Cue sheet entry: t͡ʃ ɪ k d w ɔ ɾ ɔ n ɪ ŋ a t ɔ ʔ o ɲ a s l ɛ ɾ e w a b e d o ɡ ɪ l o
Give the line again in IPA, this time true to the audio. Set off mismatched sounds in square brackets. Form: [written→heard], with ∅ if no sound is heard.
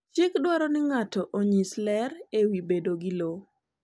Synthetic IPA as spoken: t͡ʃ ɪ k d w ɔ ɾ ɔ n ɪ ŋ a t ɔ ʔ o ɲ [a→i] s l ɛ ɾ e w [a→i] b e d o ɡ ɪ l o